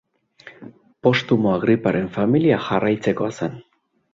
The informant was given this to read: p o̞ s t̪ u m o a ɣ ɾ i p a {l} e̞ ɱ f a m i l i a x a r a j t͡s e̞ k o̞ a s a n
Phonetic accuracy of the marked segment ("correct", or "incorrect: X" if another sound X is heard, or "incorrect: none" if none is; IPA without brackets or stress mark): incorrect: ɾ